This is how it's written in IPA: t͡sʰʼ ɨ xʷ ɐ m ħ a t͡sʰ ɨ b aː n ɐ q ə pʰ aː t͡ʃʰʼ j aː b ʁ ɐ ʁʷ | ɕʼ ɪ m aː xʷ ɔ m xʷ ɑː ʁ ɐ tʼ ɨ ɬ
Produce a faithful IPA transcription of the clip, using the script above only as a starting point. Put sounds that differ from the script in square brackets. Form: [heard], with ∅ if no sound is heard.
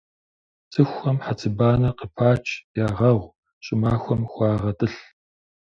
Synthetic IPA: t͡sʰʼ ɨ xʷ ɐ m ħ a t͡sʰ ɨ b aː n ɐ q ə pʰ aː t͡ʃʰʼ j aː [∅] ʁ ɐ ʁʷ | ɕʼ ɪ m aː xʷ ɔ m xʷ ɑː ʁ ɐ tʼ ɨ ɬ

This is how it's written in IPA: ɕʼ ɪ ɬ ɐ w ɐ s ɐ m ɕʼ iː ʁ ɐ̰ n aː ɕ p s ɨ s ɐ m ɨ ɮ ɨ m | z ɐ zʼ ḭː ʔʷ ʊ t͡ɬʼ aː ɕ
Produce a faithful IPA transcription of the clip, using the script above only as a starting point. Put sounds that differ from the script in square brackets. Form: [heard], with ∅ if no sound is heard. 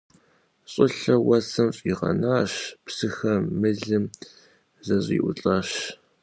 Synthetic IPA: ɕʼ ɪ ɬ ɐ w ɐ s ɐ m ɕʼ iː ʁ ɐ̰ n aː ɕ p s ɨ [x] ɐ m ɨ ɮ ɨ m | z ɐ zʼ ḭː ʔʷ ʊ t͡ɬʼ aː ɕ

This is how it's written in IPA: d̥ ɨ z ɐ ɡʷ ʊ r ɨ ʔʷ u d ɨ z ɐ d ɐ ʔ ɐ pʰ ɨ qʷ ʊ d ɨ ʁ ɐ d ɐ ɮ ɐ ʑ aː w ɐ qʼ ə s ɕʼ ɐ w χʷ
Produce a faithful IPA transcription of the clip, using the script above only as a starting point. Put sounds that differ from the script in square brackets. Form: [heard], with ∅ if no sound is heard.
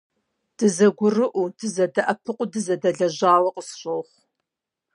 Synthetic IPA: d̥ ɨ z ɐ ɡʷ ʊ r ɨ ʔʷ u d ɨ z ɐ d ɐ ʔ ɐ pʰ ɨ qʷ ʊ d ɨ [z] ɐ d ɐ ɮ ɐ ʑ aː w ɐ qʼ ə s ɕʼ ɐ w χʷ

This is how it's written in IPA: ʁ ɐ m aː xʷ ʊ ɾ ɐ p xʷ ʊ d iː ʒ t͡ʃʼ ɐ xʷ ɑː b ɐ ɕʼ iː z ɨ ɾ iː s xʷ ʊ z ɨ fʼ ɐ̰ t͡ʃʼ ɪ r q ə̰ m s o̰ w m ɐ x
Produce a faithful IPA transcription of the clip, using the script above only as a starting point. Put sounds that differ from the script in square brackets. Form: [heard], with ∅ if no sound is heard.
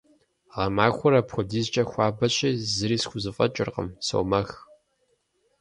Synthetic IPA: ʁ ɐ m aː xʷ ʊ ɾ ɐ p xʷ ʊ d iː [z] t͡ʃʼ ɐ xʷ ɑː b ɐ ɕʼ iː z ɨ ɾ iː s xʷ ʊ z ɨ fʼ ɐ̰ t͡ʃʼ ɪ r q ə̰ m s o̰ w m ɐ x

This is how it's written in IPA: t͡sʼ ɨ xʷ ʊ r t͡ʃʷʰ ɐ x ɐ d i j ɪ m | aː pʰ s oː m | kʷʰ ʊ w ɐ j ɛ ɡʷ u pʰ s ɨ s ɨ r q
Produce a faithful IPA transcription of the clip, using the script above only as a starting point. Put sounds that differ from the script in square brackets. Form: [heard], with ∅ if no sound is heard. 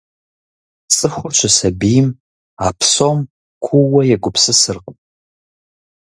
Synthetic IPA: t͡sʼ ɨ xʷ ʊ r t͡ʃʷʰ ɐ [s] ɐ [b] i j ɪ m | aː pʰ s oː m | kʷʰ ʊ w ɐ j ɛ ɡʷ [ʊ] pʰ s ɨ s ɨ r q

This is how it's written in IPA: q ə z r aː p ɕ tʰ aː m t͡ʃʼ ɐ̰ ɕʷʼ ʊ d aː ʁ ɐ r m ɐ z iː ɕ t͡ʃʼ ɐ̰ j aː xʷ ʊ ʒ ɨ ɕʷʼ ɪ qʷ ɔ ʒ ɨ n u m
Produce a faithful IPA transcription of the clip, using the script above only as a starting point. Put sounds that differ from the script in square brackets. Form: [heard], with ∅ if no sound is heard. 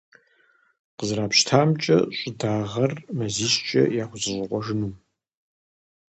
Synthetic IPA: q ə z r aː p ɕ tʰ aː m t͡ʃʼ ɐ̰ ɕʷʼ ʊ d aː ʁ ɐ r m ɐ z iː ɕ t͡ʃʼ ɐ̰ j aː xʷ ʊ [z] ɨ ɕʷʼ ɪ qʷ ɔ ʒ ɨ n u m

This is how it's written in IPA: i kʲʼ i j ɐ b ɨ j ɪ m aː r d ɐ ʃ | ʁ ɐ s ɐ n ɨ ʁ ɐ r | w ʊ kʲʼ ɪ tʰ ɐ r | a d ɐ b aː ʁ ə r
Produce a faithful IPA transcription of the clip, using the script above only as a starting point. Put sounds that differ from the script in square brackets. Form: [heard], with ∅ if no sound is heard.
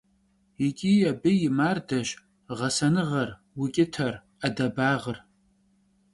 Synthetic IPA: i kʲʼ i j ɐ b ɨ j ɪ m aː r d ɐ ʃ | ʁ ɐ s ɐ n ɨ ʁ ɐ r | w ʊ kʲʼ ɪ tʰ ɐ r | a d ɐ b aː ʁ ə r

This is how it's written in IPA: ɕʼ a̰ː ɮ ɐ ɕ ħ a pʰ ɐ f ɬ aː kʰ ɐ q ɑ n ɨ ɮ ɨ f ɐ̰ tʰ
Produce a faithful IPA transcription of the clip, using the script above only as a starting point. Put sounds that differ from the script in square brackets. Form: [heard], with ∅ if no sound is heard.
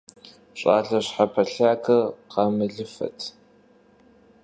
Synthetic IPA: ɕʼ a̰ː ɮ ɐ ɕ ħ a pʰ ɐ [∅] ɬ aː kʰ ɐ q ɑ [m] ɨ ɮ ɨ f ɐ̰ tʰ

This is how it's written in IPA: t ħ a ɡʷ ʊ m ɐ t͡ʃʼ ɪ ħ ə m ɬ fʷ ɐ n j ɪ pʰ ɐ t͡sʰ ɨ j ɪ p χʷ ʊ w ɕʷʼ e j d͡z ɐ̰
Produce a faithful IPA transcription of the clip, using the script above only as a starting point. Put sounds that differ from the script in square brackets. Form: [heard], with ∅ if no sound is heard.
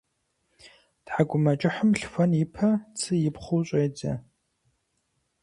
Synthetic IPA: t ħ a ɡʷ ʊ m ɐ t͡ʃʼ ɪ ħ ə m ɬ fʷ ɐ n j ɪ pʰ ɐ t͡sʰ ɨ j ɪ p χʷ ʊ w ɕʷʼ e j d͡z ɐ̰

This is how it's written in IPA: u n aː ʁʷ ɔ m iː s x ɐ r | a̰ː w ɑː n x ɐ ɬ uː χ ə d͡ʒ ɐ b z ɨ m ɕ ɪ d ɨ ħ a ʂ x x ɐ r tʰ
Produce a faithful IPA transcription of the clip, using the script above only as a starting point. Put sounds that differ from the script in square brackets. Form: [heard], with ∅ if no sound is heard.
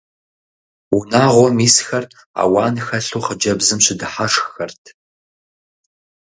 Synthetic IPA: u n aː ʁʷ ɔ m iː s x ɐ r | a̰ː w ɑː n x ɐ ɬ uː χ ə d͡ʒ ɐ b z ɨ m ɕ ɪ d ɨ ħ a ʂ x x ɐ r tʰ

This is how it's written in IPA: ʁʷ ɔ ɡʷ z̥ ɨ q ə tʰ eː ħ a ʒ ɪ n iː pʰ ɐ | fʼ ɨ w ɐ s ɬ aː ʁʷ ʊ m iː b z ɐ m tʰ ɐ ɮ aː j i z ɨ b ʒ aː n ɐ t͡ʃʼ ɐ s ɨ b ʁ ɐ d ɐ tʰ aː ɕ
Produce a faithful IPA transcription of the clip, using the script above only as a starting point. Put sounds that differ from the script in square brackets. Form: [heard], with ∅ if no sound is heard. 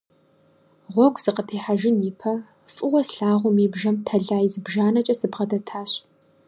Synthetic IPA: ʁʷ ɔ ɡʷ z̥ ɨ q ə tʰ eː ħ a ʒ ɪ n iː pʰ ɐ | fʼ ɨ w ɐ s ɬ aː ʁʷ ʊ m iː b [ʒ] ɐ m tʰ ɐ ɮ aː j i z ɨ b ʒ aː n ɐ t͡ʃʼ ɐ s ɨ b ʁ ɐ d ɐ tʰ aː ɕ

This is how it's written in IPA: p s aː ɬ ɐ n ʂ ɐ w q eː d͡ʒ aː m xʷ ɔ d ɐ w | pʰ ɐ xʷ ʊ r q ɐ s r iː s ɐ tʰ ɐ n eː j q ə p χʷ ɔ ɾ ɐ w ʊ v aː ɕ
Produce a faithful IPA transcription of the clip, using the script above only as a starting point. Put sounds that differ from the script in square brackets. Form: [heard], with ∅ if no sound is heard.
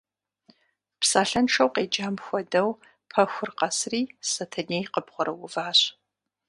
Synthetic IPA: p s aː ɬ ɐ n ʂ ɐ w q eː d͡ʒ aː m xʷ ɔ d ɐ w | pʰ ɐ xʷ ʊ r q ɐ s r iː s ɐ tʰ ɐ n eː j q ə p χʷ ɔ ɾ ɐ w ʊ v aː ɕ

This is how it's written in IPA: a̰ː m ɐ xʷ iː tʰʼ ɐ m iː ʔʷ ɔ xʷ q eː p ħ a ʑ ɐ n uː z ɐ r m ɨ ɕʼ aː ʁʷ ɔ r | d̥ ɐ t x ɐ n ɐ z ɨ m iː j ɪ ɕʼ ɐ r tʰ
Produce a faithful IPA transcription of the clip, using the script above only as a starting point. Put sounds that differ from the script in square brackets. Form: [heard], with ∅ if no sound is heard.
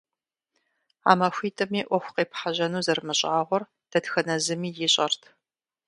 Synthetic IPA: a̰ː m ɐ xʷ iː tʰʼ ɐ m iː ʔʷ ɔ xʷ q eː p ħ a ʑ ɐ n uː z ɐ r m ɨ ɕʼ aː ʁʷ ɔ r | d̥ ɐ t x ɐ n ɐ z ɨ m iː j ɪ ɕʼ ɐ r tʰ

